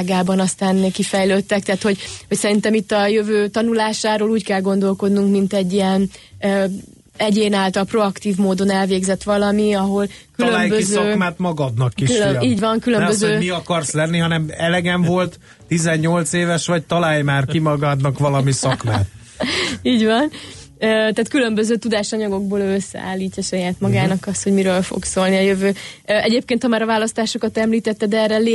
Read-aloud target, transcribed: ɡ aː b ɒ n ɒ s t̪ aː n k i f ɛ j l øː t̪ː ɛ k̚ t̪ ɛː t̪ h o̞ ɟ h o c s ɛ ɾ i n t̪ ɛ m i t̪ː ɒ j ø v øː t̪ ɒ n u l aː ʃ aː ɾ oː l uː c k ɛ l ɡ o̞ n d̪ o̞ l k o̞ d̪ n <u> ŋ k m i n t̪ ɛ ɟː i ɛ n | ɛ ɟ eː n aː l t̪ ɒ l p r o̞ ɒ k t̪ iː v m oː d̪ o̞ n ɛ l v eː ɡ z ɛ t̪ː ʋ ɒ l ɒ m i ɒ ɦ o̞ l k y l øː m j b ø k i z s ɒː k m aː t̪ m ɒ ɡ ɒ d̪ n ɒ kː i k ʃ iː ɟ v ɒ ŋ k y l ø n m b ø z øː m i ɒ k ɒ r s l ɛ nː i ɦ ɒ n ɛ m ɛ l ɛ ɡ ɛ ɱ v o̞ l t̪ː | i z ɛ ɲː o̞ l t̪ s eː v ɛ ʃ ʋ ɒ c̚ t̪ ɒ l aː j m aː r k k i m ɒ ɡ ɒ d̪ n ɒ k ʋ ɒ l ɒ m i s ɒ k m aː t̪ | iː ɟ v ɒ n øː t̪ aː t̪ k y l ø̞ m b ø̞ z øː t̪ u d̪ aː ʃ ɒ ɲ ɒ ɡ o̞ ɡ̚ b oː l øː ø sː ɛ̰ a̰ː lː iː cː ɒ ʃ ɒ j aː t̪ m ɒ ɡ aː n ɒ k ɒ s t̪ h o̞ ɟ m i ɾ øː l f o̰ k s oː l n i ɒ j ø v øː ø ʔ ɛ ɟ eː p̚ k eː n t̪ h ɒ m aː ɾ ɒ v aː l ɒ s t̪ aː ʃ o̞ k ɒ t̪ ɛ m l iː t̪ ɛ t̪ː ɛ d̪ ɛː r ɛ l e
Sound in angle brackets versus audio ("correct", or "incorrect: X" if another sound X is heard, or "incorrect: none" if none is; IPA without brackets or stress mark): correct